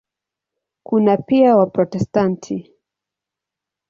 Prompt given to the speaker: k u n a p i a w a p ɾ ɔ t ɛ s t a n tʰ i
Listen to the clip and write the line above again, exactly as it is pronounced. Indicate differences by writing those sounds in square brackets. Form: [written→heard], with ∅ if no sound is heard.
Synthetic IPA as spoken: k u n a p i a w a p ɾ ɔ t ɛ s t a n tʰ i